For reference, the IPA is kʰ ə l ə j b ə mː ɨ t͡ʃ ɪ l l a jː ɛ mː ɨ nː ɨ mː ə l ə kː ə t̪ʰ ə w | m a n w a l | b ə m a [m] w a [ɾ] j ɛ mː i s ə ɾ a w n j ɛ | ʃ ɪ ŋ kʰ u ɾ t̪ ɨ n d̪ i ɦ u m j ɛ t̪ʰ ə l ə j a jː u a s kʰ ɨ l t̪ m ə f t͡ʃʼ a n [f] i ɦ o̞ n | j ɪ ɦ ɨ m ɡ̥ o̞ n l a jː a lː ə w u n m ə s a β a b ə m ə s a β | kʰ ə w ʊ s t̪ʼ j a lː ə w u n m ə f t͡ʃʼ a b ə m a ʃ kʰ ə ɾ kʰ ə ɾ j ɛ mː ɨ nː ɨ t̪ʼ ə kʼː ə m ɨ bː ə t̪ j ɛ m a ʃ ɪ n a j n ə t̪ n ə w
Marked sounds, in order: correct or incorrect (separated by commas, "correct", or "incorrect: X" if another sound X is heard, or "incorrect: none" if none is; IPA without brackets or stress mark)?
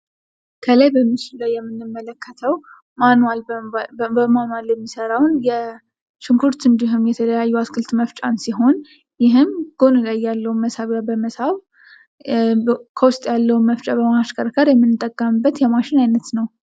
incorrect: n, incorrect: l, incorrect: s